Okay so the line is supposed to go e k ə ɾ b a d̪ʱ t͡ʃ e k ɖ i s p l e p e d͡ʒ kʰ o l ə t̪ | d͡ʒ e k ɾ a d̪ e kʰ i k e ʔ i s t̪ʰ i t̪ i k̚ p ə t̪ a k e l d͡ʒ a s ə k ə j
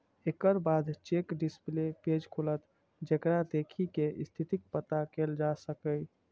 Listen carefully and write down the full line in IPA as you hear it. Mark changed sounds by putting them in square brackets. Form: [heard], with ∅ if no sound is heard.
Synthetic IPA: e k ə ɾ b a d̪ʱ t͡ʃ e k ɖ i s p l e p e d͡ʒ kʰ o l ə t̪ | d͡ʒ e k ɾ a d̪ e kʰ i k e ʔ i s t̪ʰ i t̪ i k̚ p ə t̪ a k e l d͡ʒ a s ə k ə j